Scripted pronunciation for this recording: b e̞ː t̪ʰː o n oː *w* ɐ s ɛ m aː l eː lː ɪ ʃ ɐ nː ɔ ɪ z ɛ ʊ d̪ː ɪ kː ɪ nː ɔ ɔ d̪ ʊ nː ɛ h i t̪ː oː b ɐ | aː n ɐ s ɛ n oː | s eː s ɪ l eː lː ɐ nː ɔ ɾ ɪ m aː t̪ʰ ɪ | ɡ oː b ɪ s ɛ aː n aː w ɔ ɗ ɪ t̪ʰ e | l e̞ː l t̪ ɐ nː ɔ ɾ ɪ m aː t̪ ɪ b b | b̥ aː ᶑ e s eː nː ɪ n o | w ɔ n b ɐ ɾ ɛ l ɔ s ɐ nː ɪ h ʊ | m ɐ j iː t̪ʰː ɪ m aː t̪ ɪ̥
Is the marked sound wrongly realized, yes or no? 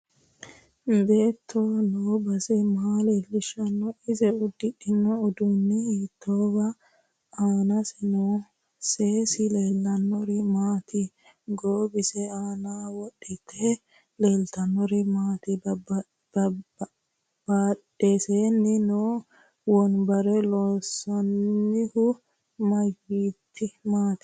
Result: yes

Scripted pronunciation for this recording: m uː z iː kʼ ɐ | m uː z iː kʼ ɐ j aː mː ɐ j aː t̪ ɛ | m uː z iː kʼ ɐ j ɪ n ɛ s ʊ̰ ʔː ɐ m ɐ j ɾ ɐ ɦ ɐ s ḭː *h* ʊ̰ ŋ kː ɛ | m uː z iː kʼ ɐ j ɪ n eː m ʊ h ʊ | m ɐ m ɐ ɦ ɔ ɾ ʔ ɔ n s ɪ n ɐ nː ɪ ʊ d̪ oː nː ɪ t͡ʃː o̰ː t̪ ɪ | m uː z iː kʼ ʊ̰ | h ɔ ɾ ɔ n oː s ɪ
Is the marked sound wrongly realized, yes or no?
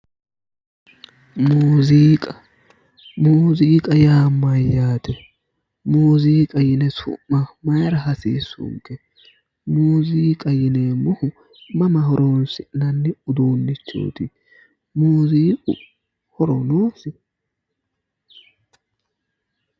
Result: yes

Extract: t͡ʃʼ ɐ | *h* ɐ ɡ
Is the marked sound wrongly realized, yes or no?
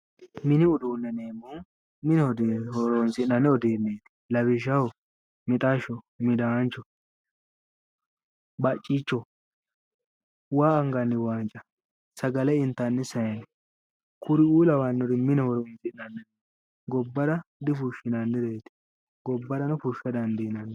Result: yes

